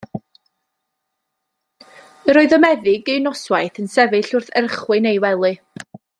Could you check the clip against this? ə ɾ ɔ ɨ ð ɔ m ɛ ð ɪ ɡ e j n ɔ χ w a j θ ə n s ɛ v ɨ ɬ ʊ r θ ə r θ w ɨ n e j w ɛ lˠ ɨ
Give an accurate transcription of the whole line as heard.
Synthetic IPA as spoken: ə ɾ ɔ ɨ ð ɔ m ɛ ð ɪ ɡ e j n ɔ s w a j θ ə n s ɛ v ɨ ɬ ʊ r θ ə r χ w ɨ n e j w ɛ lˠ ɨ